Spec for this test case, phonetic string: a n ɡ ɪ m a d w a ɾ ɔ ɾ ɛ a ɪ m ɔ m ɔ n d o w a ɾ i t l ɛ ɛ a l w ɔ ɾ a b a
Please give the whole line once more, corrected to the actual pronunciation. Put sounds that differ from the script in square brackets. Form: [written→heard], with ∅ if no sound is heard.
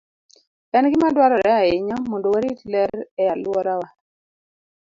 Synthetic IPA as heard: [a→ɛ] n ɡ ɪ m a d w a ɾ ɔ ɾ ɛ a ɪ [m→ɲ] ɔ m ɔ n d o w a ɾ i t l ɛ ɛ a l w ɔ ɾ a [b→w] a